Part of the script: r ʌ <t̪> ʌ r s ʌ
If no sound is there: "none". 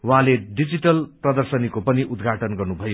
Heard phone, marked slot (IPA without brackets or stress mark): d̪